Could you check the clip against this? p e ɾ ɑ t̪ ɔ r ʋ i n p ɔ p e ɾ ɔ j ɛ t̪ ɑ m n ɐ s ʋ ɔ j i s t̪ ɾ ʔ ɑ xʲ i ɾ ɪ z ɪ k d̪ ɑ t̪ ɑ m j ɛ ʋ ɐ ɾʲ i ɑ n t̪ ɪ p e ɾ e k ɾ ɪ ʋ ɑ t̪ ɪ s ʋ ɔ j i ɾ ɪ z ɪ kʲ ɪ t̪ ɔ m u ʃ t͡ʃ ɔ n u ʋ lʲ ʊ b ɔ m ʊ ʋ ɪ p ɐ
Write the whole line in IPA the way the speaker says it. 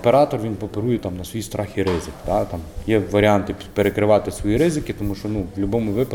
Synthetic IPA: p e ɾ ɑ t̪ ɔ r ʋ i n p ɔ p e ɾ u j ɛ t̪ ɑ m n ɐ s ʋ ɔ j i s t̪ ɾ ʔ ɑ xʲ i ɾ ɪ z ɪ k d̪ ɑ t̪ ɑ m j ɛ ʋ ɐ ɾʲ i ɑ n t̪ ɪ p e ɾ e k ɾ ɪ ʋ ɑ t̪ ɪ s ʋ ɔ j i ɾ ɪ z ɪ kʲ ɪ t̪ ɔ m u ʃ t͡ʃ ɔ n u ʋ lʲ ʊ b ɔ m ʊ ʋ ɪ p ɐ